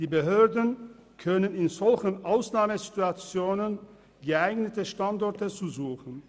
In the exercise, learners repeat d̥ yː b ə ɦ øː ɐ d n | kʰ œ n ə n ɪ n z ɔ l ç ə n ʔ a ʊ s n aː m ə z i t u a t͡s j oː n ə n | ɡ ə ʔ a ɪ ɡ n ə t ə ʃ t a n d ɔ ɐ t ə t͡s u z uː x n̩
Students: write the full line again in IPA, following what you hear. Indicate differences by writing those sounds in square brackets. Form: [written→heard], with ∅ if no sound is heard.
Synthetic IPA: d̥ [yː→iː] b ə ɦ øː ɐ d n | kʰ œ n ə n ɪ n z ɔ l ç ə n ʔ a ʊ s n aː m ə z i t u a t͡s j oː n ə n | ɡ ə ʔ a ɪ ɡ n ə t ə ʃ t a n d ɔ ɐ t ə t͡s u z uː x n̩

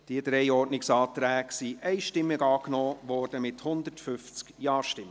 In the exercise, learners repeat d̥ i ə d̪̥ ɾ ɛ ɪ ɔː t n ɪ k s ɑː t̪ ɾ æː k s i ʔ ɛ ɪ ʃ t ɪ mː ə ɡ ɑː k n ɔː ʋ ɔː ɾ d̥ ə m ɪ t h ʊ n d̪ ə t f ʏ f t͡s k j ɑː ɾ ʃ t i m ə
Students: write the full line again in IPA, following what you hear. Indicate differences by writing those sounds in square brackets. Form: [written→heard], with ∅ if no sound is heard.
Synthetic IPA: d̥ i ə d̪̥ ɾ ɛ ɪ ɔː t n ɪ k s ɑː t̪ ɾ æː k s i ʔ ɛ ɪ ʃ t ɪ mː ə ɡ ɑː k n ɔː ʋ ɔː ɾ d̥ ə m ɪ t h ʊ n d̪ ə t f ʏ f t͡s k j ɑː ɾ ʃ t [i→ɪ] m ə

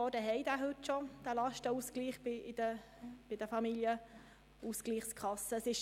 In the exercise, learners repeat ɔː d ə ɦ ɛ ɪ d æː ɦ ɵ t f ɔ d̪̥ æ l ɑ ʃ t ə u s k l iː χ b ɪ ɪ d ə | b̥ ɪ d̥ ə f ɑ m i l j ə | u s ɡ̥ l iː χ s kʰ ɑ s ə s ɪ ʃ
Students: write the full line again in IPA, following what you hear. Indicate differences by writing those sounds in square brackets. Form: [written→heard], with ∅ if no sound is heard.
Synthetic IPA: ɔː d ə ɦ ɛ ɪ d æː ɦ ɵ t [f→ʃ] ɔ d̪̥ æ l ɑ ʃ t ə u s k l iː χ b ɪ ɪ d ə | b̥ ɪ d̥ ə f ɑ m i l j ə | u s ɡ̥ l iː χ s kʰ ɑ s ə s ɪ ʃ

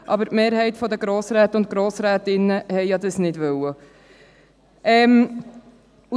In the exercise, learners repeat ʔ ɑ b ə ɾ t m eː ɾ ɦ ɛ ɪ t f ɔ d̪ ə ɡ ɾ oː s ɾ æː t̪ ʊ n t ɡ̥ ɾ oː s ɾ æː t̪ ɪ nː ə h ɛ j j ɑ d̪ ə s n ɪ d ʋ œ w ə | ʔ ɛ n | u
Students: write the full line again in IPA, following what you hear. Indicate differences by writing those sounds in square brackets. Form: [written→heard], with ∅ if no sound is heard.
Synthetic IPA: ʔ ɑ b ə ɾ t m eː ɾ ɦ ɛ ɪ t f ɔ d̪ ə ɡ ɾ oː s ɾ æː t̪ ʊ n t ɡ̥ ɾ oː s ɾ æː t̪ ɪ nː ə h ɛ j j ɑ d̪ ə s n ɪ d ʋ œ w ə | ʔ ɛ [n→m] | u

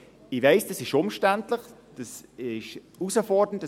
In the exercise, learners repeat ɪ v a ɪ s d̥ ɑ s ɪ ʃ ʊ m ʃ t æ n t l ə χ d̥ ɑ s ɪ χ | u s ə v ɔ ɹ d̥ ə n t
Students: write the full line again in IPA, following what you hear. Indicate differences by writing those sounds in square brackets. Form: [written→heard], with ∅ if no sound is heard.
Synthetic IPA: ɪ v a ɪ s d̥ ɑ s ɪ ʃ ʊ m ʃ t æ n t l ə χ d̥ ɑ s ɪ [χ→ʃ] | u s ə [v→f] ɔ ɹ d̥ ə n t

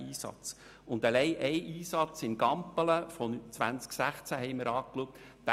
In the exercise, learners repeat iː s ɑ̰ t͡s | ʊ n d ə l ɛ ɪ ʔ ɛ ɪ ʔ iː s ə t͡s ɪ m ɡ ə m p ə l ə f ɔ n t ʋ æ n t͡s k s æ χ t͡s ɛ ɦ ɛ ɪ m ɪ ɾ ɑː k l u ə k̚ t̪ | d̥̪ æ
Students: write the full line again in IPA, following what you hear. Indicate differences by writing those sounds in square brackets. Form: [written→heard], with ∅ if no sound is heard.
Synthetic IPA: iː s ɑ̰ t͡s | ʊ n d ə l ɛ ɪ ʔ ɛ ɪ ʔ iː s [ə→ɑ] t͡s ɪ [m→n] ɡ [ə→ɑ] m p ə l ə f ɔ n [t→t͡s] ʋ æ n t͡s k s æ χ t͡s [ɛ→æ] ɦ ɛ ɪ m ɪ ɾ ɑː k l u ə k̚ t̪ | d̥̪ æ

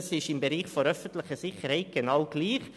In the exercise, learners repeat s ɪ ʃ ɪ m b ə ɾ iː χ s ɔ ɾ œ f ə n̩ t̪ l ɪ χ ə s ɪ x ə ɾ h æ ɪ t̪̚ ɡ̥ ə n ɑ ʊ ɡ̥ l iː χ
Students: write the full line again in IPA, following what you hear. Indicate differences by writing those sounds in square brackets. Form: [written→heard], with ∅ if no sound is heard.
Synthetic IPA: s ɪ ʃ ɪ m b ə ɾ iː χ [s→f] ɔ ɾ œ f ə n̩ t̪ l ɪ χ ə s ɪ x ə ɾ h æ ɪ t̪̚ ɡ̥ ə n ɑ ʊ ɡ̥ l iː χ

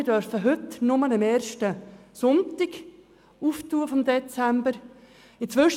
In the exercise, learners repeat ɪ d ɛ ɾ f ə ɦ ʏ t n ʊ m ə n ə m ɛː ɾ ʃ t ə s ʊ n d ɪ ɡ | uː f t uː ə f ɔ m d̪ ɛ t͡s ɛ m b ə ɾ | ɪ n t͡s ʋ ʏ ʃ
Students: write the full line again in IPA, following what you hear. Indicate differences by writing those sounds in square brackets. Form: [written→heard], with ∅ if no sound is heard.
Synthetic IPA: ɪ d [ɛ→œ] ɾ f ə ɦ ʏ t n ʊ m ə n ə m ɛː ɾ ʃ t ə s ʊ n [d→t] ɪ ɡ | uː f t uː ə f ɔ m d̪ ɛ t͡s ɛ m b ə ɾ | ɪ n t͡s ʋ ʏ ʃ

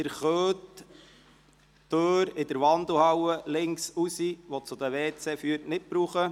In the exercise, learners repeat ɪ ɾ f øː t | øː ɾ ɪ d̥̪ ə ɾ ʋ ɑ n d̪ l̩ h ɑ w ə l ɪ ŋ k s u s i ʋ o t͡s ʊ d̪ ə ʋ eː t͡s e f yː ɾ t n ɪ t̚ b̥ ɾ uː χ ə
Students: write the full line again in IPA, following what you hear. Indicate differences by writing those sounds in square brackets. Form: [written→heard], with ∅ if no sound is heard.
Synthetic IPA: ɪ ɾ [f→χ] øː t | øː ɾ ɪ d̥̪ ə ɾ ʋ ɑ n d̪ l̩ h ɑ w ə l ɪ ŋ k s u s i ʋ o t͡s ʊ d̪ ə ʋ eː t͡s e f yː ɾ t n ɪ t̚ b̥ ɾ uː χ ə

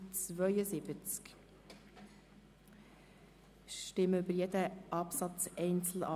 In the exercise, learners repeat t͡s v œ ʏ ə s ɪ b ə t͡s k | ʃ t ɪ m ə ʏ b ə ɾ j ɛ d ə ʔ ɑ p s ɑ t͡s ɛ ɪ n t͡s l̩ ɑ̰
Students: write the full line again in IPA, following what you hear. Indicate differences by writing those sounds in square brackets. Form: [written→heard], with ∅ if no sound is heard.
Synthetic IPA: t͡s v œ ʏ ə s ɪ b ə t͡s k | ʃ t ɪ m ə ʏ b ə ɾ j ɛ d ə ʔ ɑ p s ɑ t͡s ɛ ɪ n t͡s l̩ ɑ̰

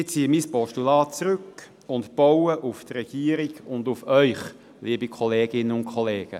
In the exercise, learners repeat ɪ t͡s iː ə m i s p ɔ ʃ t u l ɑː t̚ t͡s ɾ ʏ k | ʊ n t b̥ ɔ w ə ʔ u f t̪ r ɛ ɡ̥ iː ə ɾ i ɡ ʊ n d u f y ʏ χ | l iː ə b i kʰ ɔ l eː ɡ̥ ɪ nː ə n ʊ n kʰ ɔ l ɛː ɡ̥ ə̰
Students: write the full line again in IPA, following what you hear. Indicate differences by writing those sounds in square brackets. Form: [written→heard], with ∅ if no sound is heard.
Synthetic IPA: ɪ t͡s iː ə m i s p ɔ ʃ t u l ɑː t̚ t͡s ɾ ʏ k | ʊ n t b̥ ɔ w ə ʔ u f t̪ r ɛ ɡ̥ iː ə ɾ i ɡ ʊ n d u f [y→œ] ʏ χ | l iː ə b i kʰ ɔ l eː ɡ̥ ɪ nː ə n ʊ n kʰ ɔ l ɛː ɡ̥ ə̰

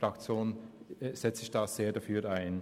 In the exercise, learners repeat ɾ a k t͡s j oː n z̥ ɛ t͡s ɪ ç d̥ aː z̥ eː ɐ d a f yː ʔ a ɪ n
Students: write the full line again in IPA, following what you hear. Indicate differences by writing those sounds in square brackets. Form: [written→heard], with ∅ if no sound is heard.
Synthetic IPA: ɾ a k t͡s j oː n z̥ ɛ t͡s ɪ ç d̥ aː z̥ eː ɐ d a f yː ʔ a ɪ n

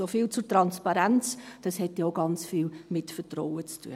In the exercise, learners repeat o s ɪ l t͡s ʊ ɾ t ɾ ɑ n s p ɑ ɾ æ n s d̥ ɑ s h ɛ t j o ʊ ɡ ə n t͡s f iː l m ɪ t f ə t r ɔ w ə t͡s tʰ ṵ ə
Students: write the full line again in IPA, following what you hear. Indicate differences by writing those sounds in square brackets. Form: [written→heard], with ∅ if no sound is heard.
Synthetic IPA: o [s→f] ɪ l t͡s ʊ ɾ t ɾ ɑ n s p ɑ ɾ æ n [s→t͡s] d̥ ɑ s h ɛ t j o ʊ ɡ [ə→ɑ] n t͡s f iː l m ɪ t f ə t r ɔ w ə t͡s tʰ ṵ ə

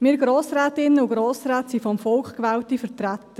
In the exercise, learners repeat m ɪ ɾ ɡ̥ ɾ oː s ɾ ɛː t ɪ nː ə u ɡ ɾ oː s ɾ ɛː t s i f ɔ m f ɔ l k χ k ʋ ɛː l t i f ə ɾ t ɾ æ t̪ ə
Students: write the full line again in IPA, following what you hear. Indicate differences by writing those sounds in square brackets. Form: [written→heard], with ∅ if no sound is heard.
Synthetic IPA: m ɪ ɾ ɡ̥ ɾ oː s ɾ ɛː t ɪ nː ə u ɡ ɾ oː s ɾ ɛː t s i f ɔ m f ɔ l k χ k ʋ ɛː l t i f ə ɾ t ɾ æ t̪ ə

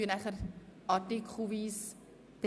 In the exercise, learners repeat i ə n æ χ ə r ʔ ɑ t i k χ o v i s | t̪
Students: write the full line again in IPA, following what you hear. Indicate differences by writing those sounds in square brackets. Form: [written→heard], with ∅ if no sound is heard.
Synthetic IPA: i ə n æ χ ə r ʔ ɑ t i k χ [o→u] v i s | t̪

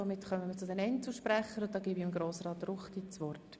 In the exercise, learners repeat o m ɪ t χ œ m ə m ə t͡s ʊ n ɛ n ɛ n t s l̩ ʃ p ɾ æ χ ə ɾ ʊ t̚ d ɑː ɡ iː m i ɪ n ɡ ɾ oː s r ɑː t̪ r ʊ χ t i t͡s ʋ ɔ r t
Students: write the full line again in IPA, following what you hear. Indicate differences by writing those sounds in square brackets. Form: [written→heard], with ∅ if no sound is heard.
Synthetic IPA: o m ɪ t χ œ m ə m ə t͡s ʊ [n→d] ɛ n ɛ n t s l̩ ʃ p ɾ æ χ ə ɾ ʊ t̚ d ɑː ɡ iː [m→b] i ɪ [n→m] ɡ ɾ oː s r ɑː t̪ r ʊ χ t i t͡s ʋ ɔ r t

